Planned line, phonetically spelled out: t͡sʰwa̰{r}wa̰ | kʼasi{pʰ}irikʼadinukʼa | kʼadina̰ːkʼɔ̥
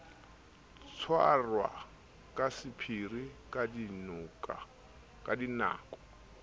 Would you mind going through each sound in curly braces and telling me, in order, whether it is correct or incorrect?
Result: correct, correct

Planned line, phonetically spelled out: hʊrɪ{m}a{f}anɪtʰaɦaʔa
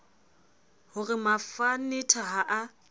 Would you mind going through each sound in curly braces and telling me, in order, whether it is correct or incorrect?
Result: correct, correct

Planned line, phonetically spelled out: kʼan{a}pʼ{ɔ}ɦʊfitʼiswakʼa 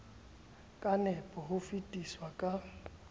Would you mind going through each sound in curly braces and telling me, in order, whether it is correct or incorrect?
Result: incorrect: ɛ, correct

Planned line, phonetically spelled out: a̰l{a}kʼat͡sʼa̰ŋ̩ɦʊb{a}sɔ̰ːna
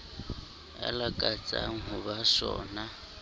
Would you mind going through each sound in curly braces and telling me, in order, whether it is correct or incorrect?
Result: correct, correct

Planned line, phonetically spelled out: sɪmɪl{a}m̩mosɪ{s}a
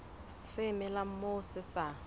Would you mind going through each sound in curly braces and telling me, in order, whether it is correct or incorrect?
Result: correct, correct

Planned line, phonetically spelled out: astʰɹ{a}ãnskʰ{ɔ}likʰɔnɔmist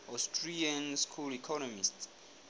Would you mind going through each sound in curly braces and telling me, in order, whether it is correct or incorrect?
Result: incorrect: i, incorrect: u

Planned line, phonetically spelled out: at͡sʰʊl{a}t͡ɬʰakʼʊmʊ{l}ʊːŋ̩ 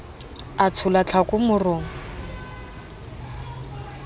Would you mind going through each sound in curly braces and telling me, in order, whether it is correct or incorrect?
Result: correct, incorrect: r

